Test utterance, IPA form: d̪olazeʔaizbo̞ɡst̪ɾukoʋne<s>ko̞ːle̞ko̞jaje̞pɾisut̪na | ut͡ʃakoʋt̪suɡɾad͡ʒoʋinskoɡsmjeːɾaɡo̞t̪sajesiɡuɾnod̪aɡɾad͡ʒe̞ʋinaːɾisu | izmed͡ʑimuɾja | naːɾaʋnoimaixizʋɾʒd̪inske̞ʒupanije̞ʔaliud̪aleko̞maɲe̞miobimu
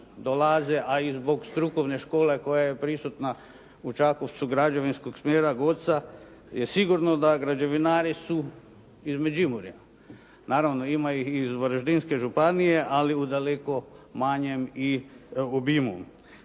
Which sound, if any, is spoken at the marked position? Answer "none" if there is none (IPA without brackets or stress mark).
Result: ʃ